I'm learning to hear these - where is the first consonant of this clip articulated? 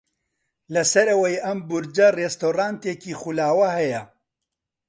tongue tip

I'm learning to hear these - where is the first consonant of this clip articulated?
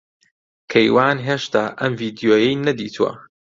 velum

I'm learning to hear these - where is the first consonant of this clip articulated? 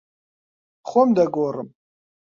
uvula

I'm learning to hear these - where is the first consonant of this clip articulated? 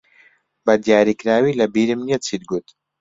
lips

